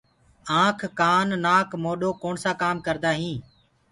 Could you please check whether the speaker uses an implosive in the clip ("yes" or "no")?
yes